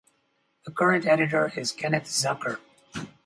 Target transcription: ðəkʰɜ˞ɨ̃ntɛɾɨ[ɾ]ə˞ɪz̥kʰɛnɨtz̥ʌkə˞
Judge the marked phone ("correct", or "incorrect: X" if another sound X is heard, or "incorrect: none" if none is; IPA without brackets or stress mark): correct